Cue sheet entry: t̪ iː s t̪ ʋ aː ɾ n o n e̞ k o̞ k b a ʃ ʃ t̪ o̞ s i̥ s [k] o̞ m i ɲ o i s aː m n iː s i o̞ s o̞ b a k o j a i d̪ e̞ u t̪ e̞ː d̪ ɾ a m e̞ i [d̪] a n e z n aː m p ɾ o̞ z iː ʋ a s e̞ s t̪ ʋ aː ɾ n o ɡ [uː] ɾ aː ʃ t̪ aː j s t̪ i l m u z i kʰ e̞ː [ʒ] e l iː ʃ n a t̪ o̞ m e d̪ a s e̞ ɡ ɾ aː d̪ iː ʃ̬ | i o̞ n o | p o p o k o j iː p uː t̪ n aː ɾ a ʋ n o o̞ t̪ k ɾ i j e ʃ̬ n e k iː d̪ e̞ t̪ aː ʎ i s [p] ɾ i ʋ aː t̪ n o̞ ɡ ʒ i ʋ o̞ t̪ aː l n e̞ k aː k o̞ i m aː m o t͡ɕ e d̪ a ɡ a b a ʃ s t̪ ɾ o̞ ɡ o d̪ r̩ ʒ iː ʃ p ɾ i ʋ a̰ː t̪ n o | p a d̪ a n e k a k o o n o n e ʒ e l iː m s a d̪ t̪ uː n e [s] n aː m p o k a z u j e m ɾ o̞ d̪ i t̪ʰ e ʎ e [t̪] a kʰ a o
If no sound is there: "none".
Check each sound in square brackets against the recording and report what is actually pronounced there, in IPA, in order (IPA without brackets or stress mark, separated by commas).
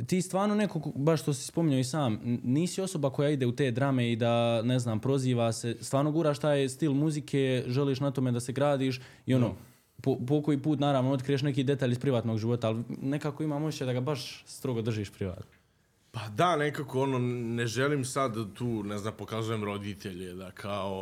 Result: p, d̪, uː, ʒ, p, z, d̪